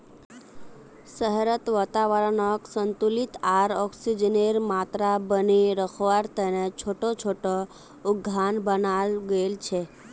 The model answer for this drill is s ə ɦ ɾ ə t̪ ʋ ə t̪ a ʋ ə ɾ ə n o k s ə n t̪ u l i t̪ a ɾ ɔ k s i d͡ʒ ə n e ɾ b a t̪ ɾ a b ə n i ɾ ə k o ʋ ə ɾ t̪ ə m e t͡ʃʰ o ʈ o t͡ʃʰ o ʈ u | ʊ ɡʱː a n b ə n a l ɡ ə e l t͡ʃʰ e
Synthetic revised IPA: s ə ɦ ɾ ə t̪ ʋ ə t̪ a ʋ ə ɾ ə n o k s ə n t̪ u l i t̪ a ɾ ɔ k s i d͡ʒ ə n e ɾ m a t̪ ɾ a b ə n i ɾ ə kʰ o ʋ a ɾ t̪ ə n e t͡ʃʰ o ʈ o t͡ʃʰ o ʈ o | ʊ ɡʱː a n b ə n a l ɡ ə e l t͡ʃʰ e